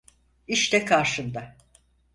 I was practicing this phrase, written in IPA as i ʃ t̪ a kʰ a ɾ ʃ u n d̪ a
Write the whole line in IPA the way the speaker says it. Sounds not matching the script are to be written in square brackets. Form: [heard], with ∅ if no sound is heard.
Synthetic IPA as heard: i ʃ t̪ [ɛ] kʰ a ɾ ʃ [ɯ] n d̪ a